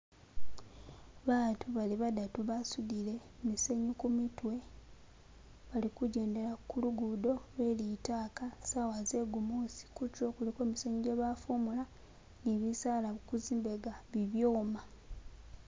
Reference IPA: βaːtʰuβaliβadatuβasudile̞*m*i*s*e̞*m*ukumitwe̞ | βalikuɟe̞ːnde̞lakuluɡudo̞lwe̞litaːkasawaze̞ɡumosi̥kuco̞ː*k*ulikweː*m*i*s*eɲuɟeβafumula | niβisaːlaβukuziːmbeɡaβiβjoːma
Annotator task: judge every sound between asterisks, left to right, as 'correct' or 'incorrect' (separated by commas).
correct, correct, incorrect, correct, correct, correct